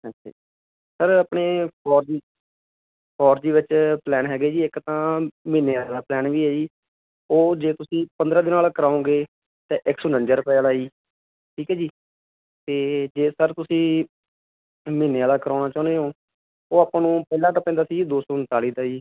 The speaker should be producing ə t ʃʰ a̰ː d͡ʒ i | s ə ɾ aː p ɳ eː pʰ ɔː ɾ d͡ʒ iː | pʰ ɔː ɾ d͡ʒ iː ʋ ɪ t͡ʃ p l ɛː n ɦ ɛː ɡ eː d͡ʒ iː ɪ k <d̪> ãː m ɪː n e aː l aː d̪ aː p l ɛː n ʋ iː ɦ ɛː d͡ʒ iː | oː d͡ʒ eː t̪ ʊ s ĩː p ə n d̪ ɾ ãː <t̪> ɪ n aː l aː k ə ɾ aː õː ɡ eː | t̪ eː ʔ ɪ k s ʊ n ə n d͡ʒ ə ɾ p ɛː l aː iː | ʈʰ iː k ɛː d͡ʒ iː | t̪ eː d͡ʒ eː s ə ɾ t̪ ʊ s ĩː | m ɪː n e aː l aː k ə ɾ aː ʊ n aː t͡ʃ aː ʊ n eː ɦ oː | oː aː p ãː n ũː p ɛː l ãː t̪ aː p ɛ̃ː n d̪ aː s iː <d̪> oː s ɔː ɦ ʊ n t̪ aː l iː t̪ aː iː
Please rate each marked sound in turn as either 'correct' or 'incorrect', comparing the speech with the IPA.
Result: incorrect, incorrect, correct

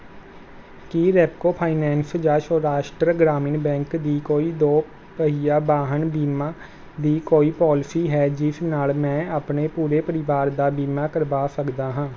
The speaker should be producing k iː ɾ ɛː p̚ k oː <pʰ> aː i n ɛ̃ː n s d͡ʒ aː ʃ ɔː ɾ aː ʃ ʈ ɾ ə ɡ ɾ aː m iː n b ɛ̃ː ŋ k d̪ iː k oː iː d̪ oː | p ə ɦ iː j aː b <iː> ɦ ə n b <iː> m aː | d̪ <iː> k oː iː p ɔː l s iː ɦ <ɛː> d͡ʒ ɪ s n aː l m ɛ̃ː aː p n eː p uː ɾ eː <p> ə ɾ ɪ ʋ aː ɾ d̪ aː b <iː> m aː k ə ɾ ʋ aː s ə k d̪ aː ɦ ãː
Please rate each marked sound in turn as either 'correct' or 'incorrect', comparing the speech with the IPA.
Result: correct, incorrect, correct, correct, correct, correct, correct

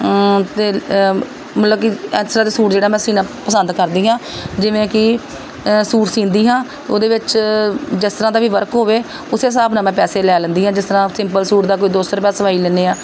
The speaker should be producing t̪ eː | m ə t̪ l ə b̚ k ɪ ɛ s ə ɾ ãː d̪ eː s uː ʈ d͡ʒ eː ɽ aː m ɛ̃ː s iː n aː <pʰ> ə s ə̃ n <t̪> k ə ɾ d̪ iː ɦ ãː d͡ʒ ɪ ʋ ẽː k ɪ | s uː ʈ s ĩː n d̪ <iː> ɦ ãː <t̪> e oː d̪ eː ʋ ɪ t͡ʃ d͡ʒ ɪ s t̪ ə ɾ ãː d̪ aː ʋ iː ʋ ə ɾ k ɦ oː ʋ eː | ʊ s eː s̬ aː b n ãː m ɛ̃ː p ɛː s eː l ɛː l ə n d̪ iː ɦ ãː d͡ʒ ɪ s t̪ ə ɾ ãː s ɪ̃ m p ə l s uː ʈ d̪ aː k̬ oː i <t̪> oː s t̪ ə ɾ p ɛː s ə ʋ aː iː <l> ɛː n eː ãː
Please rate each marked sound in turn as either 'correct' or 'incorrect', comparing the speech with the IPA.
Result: incorrect, incorrect, correct, correct, incorrect, correct

